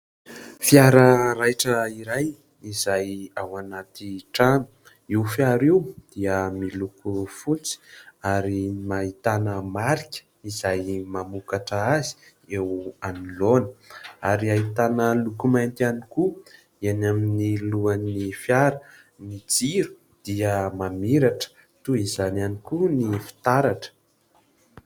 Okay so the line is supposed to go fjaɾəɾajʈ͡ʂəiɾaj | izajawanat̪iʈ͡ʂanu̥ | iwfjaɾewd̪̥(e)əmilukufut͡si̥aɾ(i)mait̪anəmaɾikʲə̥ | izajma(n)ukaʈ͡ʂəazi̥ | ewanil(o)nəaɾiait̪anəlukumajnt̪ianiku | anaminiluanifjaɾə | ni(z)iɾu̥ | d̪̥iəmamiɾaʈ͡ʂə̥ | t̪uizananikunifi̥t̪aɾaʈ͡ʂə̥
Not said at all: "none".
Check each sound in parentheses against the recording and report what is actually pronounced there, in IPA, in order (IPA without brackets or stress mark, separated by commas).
i, i, m, o, d͡z